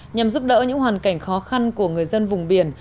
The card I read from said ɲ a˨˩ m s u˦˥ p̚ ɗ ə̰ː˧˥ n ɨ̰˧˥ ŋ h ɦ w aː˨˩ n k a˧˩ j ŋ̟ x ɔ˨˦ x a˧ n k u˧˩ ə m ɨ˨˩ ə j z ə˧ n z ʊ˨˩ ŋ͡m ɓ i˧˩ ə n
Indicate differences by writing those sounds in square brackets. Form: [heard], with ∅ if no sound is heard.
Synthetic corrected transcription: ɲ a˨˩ m [z] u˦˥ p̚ ɗ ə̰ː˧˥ [ɲ] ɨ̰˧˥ ŋ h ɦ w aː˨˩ n k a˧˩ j ŋ̟ x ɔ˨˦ x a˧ n k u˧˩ ə [ŋ] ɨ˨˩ ə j z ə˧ n [v] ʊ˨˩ ŋ͡m ɓ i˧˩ ə n